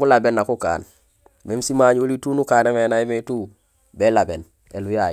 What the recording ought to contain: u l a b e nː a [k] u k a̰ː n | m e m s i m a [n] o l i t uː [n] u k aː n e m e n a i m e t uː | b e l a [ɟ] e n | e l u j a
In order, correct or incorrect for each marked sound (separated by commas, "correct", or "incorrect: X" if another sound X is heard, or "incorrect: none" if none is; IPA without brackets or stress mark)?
correct, incorrect: ɲ, correct, incorrect: b